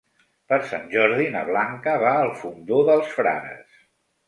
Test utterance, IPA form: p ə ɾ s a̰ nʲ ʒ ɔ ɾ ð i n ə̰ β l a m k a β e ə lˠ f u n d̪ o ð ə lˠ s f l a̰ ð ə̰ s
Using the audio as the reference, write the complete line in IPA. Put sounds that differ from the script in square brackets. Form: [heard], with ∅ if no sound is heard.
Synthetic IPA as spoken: p ə ɾ s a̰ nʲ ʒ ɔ ɾ ð i n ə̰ β l a [ŋ] k [ə] β [a] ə lˠ f u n d̪ o ð ə lˠ s f [ɾ] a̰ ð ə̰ s